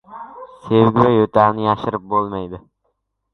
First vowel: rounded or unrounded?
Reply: unrounded